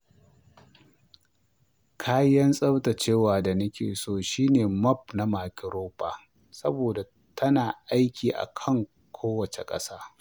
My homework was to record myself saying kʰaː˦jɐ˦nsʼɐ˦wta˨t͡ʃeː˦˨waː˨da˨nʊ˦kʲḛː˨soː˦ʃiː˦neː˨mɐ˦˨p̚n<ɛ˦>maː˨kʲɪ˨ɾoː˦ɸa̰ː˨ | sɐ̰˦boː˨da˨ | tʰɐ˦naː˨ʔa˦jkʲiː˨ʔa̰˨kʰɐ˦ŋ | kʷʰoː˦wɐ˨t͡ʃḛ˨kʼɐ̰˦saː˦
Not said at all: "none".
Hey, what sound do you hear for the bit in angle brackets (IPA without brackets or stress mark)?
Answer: a˦